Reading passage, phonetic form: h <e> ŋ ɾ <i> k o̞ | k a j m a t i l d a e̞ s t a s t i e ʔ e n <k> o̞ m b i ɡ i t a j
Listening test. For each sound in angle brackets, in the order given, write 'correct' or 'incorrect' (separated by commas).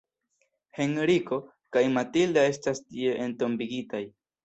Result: correct, correct, incorrect